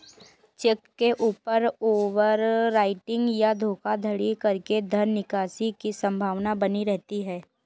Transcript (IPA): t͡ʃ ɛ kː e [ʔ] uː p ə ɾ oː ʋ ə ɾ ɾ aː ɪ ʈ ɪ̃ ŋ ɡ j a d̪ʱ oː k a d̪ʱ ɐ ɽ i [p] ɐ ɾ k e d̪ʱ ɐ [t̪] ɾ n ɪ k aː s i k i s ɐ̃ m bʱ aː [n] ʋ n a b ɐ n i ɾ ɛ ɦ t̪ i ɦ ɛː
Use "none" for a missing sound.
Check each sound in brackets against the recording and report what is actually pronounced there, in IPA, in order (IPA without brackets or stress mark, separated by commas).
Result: ʔ, k, none, none